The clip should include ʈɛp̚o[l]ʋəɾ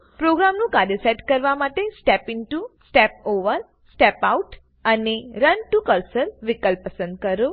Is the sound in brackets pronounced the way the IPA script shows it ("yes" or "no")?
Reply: no